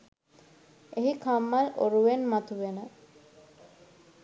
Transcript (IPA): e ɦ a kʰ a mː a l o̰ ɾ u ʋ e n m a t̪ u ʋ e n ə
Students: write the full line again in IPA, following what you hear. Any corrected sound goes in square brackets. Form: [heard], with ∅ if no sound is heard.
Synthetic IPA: e ɦ [i] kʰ a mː a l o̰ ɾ u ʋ e n m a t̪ u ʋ e n ə